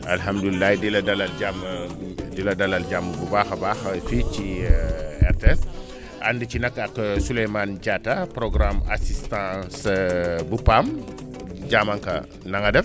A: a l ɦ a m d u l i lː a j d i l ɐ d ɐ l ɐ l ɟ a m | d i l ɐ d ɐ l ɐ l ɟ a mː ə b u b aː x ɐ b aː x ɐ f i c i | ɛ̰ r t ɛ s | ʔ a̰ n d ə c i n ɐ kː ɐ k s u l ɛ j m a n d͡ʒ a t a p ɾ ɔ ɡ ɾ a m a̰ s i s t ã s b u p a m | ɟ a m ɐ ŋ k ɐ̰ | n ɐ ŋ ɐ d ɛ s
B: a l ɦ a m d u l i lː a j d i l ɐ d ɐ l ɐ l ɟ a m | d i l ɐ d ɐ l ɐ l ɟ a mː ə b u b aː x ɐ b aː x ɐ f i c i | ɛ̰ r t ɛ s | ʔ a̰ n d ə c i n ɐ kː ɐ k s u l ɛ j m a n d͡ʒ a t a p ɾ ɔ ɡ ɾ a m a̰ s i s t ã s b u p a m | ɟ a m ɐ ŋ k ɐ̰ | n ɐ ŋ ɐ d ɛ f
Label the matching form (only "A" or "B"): B